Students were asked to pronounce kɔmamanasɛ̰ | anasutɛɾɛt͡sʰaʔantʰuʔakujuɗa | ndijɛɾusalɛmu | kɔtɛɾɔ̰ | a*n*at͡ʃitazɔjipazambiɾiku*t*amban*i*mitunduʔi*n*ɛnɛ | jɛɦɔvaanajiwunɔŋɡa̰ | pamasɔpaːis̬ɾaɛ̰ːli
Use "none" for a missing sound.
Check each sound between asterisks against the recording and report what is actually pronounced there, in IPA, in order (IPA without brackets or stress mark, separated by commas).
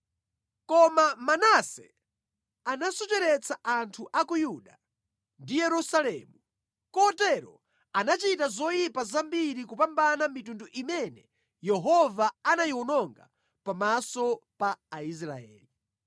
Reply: n, p, a, m